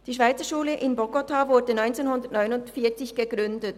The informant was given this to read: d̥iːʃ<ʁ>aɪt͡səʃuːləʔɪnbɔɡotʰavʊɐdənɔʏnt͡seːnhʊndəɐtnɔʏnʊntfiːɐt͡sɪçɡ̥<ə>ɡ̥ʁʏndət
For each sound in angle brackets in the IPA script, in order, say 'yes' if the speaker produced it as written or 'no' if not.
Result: no, yes

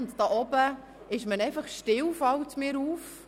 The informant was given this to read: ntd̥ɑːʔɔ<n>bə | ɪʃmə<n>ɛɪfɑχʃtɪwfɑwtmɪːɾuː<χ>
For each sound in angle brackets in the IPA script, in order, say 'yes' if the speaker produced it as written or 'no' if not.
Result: no, yes, no

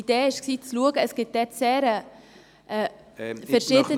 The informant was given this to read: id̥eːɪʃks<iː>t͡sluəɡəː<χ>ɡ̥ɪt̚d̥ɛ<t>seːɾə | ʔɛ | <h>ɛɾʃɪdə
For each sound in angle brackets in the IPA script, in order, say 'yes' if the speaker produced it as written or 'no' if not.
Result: yes, no, yes, no

